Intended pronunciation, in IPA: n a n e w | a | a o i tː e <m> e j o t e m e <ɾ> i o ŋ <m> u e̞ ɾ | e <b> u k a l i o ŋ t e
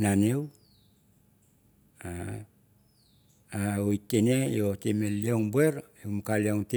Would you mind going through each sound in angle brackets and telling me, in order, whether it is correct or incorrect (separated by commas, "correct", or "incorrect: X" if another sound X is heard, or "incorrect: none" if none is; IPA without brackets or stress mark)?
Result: incorrect: n, incorrect: l, incorrect: b, incorrect: m